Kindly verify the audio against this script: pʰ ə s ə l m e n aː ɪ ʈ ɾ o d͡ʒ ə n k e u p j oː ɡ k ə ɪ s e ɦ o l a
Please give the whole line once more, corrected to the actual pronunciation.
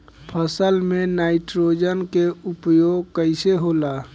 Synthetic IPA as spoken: pʰ ə s ə l m e n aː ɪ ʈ ɾ o d͡ʒ ə n k e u p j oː ɡ k ə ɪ s e ɦ o l a